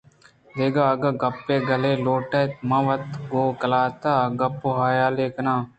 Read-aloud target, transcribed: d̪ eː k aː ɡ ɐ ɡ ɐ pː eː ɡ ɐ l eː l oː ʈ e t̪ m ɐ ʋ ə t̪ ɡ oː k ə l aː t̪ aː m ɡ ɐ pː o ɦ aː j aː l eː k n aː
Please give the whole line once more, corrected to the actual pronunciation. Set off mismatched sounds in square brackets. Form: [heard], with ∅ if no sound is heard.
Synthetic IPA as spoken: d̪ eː [ɡ] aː ɡ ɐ ɡ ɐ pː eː ɡ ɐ l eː l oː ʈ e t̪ m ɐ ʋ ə t̪ ɡ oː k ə l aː t̪ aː [∅] ɡ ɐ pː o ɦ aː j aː l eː k n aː